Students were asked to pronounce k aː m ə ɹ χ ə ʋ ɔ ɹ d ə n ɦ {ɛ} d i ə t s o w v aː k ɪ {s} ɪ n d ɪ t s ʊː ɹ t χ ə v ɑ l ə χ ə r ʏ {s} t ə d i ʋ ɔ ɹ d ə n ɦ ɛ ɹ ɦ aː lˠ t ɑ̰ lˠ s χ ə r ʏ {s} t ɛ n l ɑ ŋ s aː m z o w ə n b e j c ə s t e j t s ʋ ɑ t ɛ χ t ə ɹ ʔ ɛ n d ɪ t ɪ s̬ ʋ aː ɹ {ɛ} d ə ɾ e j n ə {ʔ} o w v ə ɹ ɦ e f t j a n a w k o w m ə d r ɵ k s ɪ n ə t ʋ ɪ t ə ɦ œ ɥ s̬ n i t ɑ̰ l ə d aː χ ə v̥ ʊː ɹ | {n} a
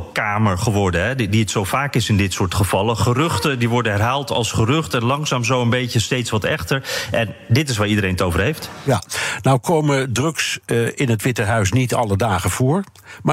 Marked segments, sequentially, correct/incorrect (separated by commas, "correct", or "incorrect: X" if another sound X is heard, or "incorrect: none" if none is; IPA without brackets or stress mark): correct, correct, incorrect: χ, incorrect: χ, incorrect: i, incorrect: t, incorrect: m